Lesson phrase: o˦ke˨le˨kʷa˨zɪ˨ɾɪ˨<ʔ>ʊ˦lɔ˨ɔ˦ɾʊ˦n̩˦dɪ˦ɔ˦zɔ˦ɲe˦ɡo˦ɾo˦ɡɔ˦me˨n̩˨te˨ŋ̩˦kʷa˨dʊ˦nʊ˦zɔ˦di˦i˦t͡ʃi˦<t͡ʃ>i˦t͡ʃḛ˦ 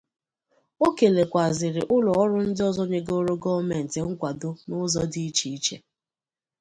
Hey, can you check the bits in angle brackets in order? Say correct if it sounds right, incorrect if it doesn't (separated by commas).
correct, incorrect